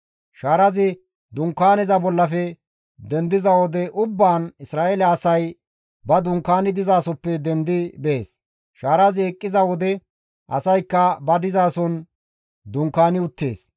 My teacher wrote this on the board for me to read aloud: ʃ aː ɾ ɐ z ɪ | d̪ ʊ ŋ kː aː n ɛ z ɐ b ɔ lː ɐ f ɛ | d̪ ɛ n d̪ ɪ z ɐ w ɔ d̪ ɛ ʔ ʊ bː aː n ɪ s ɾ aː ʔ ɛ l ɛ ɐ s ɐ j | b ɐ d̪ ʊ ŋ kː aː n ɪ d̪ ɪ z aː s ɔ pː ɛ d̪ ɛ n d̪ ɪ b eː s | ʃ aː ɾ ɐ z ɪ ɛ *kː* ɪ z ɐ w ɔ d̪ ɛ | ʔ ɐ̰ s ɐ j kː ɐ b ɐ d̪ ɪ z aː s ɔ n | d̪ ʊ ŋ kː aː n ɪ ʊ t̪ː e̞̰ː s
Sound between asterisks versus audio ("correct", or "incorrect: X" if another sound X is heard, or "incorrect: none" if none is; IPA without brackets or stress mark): incorrect: kʼː